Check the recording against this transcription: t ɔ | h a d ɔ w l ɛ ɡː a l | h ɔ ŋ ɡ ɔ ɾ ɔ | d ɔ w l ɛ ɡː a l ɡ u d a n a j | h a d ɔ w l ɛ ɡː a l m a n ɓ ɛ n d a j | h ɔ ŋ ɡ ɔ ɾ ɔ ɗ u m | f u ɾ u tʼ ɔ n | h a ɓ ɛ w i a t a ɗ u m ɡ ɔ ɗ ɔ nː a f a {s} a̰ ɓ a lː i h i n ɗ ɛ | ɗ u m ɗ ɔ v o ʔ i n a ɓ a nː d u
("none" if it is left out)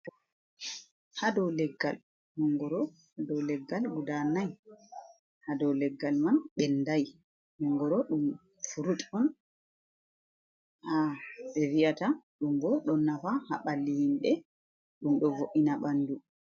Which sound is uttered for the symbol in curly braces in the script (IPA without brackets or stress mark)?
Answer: h